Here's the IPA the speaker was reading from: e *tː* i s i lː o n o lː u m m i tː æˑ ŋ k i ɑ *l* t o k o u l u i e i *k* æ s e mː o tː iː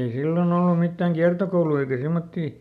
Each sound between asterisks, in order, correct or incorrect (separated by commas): incorrect, incorrect, correct